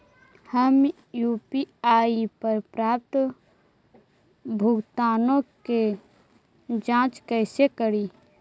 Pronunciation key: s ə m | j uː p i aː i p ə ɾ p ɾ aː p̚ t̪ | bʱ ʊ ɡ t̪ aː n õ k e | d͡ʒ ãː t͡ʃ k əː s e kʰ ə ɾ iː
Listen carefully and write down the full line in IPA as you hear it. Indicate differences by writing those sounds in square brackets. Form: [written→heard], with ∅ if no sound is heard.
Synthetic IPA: [s→h] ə m | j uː p i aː i p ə ɾ p ɾ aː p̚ t̪ | bʱ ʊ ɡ t̪ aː n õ k e | d͡ʒ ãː t͡ʃ k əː s e [kʰ→k] ə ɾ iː